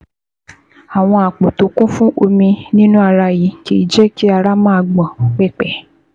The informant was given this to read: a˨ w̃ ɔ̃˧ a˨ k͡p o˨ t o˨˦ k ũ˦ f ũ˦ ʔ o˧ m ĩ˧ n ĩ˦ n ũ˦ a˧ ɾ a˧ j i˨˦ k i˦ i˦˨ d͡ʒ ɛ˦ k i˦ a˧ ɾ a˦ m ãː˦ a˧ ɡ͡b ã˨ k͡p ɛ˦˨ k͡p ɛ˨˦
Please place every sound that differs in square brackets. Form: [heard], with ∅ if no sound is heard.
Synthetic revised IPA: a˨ w̃ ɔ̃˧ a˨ k͡p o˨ t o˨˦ k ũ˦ f ũ˦ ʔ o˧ m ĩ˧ n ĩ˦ n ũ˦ a˧ ɾ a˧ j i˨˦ k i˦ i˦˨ d͡ʒ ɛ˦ k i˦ a˧ ɾ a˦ m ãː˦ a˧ ɡ͡b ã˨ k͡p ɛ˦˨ k͡p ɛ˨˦

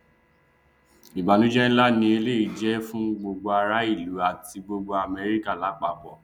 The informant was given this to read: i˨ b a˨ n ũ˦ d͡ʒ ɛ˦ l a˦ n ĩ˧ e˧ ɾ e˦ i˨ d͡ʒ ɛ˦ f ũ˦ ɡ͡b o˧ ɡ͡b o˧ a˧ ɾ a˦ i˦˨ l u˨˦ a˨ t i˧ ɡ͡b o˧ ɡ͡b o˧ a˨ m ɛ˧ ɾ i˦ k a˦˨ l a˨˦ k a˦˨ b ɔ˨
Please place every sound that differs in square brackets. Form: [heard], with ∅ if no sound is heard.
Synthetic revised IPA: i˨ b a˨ n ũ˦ d͡ʒ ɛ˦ l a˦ n ĩ˧ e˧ [l] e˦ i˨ d͡ʒ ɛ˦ f ũ˦ ɡ͡b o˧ ɡ͡b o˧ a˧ ɾ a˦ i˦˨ l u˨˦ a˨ t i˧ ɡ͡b o˧ ɡ͡b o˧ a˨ m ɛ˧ ɾ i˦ k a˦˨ l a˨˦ [k͡p] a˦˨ b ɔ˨

